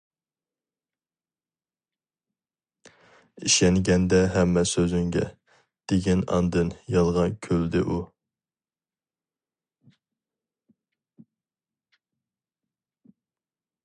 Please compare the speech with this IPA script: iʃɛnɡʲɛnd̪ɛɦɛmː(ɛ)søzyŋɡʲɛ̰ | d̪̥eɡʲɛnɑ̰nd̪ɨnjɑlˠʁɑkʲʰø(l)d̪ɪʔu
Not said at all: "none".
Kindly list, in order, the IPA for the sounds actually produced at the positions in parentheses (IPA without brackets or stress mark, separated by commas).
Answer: ɛ, l